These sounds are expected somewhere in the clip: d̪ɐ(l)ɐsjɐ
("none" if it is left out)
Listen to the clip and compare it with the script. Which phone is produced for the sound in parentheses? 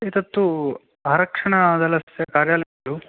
l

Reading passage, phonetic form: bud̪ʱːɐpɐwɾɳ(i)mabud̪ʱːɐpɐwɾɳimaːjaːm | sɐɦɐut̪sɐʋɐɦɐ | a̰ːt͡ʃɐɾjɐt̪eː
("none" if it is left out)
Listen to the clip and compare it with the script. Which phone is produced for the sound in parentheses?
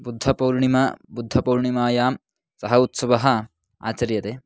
i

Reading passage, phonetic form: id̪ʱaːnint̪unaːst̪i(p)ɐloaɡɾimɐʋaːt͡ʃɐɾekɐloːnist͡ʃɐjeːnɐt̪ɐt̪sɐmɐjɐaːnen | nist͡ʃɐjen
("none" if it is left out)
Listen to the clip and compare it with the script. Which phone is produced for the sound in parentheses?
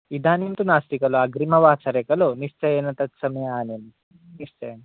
k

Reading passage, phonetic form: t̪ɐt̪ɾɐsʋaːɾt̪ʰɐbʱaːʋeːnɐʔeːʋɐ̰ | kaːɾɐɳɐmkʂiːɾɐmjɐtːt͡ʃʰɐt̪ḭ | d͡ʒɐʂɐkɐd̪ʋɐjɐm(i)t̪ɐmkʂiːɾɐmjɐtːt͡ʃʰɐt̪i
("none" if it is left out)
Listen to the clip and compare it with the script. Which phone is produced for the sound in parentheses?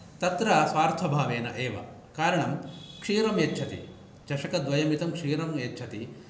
i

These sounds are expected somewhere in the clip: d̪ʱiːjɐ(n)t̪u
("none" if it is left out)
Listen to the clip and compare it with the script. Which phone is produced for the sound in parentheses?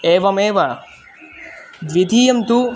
m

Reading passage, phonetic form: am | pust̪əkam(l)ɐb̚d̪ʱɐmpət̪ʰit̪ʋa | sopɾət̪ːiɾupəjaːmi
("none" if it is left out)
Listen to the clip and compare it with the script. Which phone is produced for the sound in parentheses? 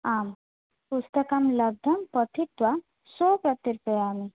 l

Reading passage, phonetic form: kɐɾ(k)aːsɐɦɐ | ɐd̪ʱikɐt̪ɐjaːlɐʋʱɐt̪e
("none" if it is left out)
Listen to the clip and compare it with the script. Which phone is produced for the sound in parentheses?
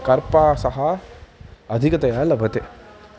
p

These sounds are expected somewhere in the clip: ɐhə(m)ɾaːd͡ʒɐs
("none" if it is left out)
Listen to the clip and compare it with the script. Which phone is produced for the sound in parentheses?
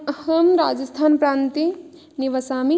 m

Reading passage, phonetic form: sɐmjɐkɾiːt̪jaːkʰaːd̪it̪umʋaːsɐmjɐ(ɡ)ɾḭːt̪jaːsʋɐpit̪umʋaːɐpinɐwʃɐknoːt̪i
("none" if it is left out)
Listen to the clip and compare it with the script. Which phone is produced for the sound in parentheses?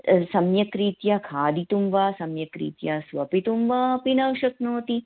k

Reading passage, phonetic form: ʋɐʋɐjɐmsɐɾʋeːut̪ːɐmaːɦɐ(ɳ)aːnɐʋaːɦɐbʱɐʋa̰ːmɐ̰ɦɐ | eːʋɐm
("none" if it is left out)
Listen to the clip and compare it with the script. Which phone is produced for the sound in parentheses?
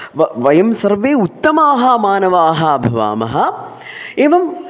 m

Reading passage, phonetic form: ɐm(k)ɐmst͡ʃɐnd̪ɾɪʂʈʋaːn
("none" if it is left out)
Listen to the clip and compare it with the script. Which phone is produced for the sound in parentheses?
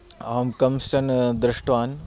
k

